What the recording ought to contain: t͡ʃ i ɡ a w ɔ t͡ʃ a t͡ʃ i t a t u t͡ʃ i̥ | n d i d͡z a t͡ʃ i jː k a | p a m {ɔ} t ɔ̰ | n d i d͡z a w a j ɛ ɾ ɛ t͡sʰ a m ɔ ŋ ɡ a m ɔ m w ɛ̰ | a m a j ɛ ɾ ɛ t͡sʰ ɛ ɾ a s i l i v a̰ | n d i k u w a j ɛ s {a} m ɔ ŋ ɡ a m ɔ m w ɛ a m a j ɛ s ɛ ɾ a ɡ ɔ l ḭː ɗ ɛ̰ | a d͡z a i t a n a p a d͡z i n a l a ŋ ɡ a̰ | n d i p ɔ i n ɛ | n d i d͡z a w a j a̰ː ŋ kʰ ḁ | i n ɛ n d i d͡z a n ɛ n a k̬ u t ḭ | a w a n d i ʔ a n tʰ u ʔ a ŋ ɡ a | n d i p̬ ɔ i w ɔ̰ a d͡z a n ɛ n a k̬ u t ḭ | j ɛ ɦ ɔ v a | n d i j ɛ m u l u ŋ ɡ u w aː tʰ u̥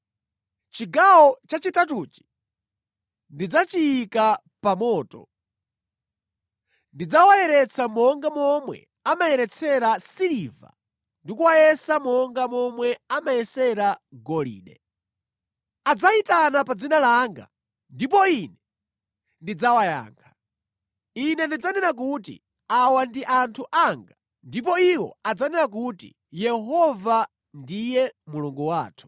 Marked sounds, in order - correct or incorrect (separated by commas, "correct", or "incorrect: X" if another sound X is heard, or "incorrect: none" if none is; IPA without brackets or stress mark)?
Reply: incorrect: ɔː, correct